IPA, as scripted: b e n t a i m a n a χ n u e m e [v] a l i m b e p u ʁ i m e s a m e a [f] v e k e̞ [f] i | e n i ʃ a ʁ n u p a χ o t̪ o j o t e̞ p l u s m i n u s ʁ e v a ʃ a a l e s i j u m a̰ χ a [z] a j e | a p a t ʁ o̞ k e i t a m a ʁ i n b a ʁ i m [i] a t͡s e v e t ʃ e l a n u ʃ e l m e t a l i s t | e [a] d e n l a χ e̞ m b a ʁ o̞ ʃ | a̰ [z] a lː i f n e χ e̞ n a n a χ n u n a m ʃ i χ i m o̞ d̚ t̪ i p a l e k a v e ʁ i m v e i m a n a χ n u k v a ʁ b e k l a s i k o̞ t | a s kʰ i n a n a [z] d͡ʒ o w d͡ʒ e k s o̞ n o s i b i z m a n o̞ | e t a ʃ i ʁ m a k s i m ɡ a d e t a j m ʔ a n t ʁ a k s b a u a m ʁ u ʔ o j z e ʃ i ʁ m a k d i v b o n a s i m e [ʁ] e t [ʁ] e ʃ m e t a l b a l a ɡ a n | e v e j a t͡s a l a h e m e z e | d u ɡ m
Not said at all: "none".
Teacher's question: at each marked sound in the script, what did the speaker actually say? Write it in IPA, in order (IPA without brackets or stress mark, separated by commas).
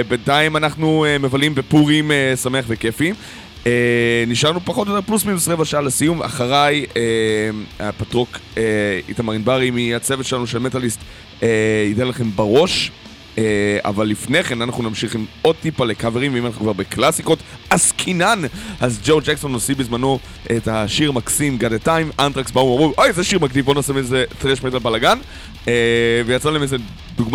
v, χ, f, ʁ, i, i, v, z, z, ʁ